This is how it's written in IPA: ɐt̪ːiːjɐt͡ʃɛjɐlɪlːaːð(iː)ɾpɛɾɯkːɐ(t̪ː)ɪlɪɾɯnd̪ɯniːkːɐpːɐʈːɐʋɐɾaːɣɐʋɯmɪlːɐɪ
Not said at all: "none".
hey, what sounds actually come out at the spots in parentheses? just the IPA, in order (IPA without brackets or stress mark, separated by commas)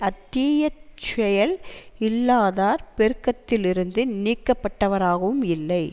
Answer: aː, t̪ː